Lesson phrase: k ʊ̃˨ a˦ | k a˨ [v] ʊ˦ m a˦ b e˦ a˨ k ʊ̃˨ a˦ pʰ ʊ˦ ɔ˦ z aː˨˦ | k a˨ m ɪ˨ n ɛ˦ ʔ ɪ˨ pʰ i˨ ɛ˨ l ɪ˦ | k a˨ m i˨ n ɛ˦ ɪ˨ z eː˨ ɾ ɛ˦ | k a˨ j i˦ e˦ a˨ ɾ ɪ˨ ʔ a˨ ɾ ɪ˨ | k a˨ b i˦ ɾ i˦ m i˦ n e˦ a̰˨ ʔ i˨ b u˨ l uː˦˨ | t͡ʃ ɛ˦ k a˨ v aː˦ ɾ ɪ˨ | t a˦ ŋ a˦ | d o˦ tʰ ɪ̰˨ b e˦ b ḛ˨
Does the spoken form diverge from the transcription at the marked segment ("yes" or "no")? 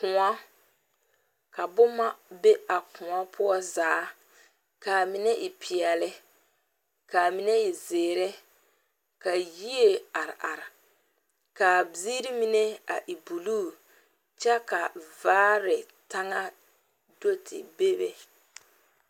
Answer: yes